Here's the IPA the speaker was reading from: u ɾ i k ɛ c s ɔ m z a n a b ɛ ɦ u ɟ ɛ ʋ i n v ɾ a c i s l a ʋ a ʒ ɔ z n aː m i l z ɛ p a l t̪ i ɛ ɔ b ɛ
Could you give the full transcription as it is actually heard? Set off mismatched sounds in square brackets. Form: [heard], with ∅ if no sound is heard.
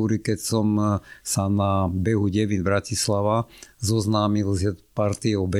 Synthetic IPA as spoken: u ɾ i k ɛ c s ɔ m [s] a n a b ɛ ɦ u ɟ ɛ ʋ i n [b] ɾ a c i s l a ʋ a [z] ɔ z n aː m i l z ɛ p a [ɾ] t̪ i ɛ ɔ b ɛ